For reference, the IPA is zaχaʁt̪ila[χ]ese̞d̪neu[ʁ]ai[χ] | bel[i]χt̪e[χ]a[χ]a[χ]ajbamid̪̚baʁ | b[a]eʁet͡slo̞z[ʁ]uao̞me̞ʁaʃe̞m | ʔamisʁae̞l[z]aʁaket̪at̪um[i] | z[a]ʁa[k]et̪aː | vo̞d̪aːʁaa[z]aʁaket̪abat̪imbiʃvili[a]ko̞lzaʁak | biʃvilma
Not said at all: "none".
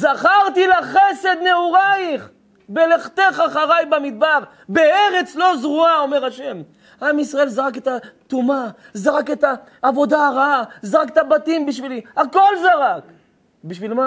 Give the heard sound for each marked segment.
χ, ʁ, χ, e, χ, χ, ʁ, e, ʁ, z, a, a, k, z, a

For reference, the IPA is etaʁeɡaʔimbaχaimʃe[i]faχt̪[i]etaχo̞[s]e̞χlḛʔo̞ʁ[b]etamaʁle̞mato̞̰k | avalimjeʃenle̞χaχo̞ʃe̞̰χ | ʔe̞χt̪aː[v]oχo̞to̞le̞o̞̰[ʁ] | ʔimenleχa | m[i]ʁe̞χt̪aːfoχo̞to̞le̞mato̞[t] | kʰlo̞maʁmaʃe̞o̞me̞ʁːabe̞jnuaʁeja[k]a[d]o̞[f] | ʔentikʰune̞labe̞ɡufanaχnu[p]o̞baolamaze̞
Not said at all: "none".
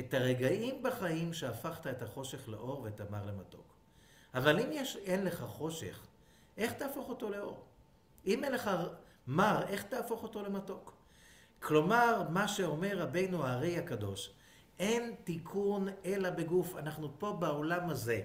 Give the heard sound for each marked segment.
a, a, ʃ, v, f, ʁ, a, k, k, d, ʃ, p

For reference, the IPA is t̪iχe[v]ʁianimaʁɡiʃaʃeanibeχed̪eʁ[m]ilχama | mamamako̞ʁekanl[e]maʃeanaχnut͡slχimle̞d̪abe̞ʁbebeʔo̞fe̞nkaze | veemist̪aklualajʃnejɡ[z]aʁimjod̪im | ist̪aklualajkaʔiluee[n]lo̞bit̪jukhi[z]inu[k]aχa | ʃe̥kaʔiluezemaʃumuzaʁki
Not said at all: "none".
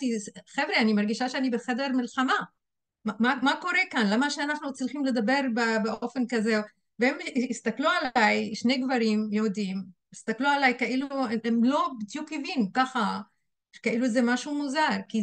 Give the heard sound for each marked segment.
v, m, a, v, m, v, k

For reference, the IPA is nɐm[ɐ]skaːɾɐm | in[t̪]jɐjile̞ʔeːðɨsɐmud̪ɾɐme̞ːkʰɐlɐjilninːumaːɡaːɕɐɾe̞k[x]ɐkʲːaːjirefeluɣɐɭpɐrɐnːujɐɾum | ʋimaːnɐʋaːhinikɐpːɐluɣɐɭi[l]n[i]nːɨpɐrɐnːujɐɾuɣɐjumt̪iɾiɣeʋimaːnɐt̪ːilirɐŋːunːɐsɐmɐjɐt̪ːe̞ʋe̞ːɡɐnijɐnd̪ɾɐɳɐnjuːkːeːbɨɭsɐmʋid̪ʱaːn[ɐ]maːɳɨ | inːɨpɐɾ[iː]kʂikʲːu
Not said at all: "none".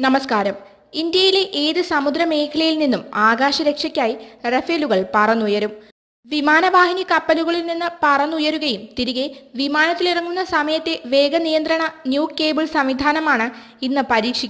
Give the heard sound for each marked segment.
ɐ, d̪, ʂ, l, i, ɐ, iː

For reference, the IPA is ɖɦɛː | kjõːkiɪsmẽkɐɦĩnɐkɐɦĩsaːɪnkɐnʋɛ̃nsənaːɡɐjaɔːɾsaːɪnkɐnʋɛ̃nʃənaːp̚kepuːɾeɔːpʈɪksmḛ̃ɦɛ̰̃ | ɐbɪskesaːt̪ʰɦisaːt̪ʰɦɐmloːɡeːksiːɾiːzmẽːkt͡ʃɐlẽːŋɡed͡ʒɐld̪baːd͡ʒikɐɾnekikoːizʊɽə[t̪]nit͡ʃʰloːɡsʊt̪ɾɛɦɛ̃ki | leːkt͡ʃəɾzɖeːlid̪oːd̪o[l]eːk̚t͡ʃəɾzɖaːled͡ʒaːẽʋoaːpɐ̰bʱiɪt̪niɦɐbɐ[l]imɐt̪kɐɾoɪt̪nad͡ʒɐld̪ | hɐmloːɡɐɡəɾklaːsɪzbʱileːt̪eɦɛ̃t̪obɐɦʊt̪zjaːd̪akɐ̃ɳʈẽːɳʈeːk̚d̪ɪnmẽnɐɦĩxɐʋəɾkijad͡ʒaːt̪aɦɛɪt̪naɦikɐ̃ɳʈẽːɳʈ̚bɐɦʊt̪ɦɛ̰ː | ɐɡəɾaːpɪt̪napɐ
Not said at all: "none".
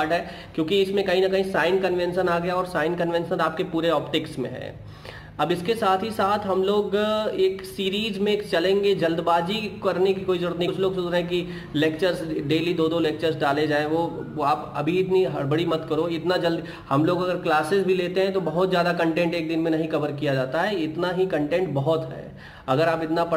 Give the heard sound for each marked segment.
t̪, l, ɽ

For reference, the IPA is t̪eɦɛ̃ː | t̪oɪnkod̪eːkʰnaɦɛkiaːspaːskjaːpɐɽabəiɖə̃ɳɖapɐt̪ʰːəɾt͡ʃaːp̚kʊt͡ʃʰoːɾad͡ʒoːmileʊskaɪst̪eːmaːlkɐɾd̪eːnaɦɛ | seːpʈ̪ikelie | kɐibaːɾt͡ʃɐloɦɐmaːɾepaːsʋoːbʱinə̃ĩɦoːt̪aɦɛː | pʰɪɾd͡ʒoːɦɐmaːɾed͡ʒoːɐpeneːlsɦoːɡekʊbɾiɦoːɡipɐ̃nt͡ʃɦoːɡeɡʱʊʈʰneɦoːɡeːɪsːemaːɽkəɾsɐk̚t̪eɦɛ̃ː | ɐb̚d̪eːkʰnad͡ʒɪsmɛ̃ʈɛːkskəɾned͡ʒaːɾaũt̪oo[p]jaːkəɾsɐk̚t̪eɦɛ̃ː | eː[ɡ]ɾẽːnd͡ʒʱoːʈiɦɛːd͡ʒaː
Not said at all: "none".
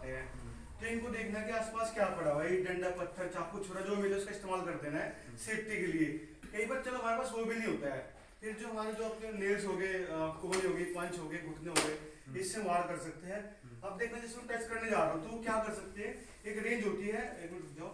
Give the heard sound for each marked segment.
k, k

